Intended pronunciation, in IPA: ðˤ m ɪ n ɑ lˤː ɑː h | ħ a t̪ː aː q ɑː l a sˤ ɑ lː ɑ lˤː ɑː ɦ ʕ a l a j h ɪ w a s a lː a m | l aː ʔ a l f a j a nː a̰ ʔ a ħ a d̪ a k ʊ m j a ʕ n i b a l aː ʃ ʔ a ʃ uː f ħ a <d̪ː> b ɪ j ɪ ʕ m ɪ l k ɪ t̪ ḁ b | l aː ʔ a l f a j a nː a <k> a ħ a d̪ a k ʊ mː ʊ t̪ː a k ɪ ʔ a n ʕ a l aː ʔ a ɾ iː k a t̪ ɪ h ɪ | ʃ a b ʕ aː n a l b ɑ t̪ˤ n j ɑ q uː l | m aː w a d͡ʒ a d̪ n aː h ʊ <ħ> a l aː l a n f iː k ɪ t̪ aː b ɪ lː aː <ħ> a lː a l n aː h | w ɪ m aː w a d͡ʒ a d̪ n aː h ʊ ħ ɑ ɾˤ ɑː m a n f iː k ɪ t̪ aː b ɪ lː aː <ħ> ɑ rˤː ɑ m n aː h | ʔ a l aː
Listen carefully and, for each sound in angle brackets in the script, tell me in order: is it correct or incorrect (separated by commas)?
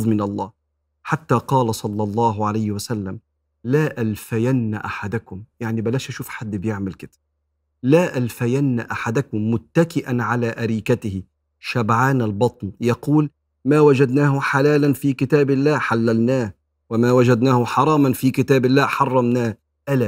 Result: correct, incorrect, correct, correct, correct